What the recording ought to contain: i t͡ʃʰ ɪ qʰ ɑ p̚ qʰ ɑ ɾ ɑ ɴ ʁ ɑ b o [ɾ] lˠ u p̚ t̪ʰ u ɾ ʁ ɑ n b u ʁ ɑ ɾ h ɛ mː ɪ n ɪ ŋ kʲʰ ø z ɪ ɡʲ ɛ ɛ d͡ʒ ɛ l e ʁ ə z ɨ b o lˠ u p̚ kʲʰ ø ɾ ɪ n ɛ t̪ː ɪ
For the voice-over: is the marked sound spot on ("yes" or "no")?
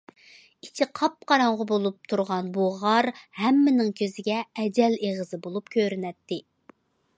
no